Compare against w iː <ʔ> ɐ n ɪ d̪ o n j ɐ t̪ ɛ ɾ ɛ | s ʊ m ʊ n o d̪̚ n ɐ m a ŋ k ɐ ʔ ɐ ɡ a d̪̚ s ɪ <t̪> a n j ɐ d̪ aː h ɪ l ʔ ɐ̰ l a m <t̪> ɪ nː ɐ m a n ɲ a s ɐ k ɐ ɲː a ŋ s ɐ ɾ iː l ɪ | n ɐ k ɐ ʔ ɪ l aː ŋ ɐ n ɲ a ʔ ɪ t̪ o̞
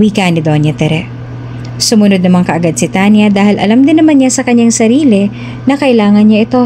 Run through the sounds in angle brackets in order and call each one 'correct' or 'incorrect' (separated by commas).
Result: incorrect, correct, incorrect